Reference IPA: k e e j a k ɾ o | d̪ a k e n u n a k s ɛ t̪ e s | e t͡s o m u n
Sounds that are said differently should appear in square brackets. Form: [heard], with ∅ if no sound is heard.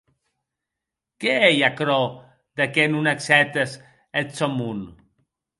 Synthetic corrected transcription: k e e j a k ɾ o | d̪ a k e n u n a k s ɛ t̪ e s | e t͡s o m u n